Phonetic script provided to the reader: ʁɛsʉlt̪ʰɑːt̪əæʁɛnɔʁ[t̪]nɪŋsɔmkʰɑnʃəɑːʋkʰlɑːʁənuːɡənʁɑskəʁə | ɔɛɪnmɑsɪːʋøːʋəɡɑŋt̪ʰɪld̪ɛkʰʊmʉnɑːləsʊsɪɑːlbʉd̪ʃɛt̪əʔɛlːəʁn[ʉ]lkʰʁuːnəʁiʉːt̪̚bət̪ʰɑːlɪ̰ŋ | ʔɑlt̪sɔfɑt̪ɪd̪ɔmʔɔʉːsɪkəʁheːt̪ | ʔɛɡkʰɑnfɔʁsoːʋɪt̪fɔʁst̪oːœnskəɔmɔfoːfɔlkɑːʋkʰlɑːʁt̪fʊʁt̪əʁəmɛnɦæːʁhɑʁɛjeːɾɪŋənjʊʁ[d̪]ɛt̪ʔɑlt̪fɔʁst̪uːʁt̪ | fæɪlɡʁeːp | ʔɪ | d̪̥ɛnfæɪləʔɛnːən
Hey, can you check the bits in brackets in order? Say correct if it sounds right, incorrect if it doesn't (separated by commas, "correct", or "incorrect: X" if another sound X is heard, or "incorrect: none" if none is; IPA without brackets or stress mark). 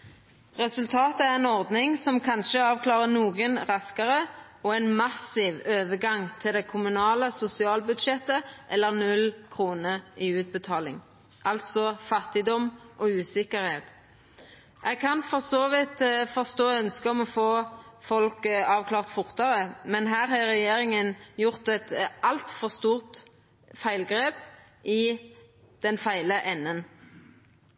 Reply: incorrect: d̪, correct, incorrect: t̪